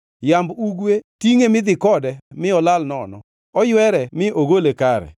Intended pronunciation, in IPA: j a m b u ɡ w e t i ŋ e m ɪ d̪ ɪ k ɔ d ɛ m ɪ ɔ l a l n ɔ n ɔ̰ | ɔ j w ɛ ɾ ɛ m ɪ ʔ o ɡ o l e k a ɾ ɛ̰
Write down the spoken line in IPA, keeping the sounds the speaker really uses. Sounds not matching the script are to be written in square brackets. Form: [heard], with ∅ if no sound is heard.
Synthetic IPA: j a m b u ɡ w e t i ŋ e m ɪ d̪ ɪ k ɔ d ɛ m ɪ ɔ l a l n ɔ n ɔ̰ | ɔ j w ɛ ɾ ɛ m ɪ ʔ o ɡ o l e k a ɾ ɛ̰

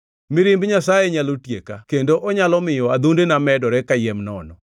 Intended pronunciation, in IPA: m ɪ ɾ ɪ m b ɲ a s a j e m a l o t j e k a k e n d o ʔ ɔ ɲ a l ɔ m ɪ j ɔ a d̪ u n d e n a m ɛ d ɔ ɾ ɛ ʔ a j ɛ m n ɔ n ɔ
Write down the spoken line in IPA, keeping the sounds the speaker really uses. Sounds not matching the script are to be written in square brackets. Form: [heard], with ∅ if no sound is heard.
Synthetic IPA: m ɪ ɾ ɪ m b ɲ a s a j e [ɲ] a l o t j e k a k e n d o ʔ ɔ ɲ a l ɔ m ɪ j ɔ a d̪ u n d e n a m ɛ d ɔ ɾ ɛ [k] a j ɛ m n ɔ n ɔ

